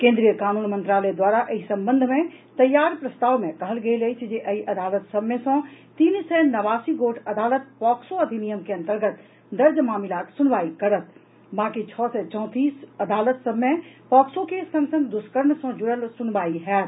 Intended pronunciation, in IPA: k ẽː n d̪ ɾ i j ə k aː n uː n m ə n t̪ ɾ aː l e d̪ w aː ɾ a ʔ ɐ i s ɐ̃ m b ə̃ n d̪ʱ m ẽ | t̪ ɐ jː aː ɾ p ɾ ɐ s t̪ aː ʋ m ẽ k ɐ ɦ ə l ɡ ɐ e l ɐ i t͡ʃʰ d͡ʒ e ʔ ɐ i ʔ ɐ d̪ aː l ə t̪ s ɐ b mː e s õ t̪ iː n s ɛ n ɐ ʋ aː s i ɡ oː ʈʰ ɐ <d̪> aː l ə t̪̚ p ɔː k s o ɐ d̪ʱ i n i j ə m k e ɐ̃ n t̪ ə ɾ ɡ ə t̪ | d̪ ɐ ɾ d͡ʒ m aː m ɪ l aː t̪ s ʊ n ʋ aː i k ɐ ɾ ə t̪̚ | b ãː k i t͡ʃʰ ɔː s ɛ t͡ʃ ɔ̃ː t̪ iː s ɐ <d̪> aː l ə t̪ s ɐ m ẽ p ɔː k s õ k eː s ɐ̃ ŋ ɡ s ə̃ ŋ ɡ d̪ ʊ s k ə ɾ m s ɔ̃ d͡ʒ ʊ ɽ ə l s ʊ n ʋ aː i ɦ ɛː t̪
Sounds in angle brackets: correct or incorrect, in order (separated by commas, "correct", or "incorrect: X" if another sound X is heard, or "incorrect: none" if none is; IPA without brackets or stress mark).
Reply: correct, correct